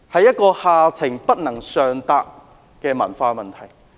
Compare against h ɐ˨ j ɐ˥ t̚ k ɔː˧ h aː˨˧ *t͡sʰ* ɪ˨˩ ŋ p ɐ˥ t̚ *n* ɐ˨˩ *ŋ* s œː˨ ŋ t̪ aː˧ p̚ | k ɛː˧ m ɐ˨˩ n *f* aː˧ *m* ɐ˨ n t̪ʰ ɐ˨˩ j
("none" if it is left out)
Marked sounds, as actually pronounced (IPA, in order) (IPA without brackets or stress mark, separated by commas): t͡sʰ, n, ŋ, f, m